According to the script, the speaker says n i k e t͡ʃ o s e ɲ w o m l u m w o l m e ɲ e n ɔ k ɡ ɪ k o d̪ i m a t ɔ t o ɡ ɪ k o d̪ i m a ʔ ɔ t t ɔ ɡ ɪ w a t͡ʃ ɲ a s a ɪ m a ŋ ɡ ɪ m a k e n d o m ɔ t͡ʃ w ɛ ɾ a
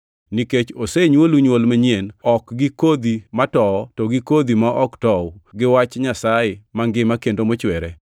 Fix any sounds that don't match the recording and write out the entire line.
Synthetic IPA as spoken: n i k e t͡ʃ o s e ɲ w o l u ɲ w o l m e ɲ e n ɔ k ɡ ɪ k o d̪ i m a t ɔ t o ɡ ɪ k o d̪ i m a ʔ ɔ k t ɔ ɡ ɪ w a t͡ʃ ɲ a s a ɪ m a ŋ ɡ ɪ m a k e n d o m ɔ t͡ʃ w ɛ ɾ ɛ